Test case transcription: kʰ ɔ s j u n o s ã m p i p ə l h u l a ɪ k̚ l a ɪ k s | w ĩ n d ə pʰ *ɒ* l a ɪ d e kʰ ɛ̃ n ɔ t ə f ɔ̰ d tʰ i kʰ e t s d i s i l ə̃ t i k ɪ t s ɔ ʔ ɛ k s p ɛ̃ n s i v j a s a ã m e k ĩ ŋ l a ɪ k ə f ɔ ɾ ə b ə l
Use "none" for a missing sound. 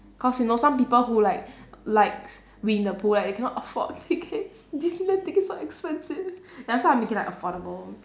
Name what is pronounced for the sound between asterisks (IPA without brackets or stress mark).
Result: u